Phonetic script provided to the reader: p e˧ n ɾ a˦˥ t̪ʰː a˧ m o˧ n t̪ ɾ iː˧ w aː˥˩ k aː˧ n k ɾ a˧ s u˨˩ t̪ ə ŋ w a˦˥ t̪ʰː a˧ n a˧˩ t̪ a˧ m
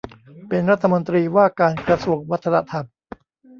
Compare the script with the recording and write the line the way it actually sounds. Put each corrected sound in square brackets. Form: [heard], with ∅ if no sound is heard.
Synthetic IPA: p e˧ n ɾ a˦˥ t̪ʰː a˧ m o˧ n t̪ ɾ iː˧ w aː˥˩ k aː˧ n k ɾ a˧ s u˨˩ [∅] ə ŋ w a˦˥ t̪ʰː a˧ n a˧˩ [t̪ʰ] a˧ m

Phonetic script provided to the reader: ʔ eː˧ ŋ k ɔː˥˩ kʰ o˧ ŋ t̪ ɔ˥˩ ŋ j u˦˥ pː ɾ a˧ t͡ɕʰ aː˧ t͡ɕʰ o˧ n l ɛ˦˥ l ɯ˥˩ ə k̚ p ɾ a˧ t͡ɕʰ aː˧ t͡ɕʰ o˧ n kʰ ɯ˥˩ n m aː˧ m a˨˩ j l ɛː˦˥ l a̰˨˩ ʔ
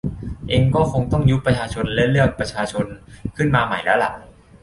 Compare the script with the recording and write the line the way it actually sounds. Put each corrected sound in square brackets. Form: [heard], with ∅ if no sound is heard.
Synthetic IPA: ʔ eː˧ ŋ k ɔː˥˩ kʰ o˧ ŋ t̪ ɔ˥˩ ŋ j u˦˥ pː ɾ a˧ t͡ɕʰ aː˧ t͡ɕʰ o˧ n l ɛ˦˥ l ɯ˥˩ ə k̚ p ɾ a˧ t͡ɕʰ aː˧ t͡ɕʰ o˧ n kʰ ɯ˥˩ n m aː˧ m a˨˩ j l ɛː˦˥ l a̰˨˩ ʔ

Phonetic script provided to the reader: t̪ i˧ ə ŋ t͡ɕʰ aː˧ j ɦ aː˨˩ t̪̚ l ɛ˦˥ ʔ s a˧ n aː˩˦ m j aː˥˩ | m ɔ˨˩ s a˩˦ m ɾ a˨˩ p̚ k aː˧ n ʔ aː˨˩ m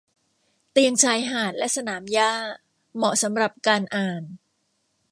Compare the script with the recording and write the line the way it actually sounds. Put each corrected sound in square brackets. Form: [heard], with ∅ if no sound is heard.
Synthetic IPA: t̪ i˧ ə ŋ t͡ɕʰ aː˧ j ɦ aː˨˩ t̪̚ l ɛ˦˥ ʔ s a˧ n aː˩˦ m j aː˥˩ | m ɔ˨˩ s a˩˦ m ɾ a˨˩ p̚ k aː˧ n ʔ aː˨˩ [n]

